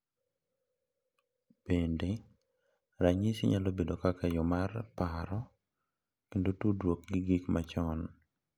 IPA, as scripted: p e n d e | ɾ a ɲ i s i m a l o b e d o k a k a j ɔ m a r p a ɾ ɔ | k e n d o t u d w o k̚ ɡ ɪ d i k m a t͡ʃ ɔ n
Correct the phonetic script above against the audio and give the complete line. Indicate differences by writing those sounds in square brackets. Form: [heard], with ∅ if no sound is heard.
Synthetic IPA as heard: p e n d e | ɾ a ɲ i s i [ɲ] a l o b e d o k a k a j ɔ m a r p a ɾ ɔ | k e n d o t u d w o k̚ ɡ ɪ [ɡ] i k m a t͡ʃ ɔ n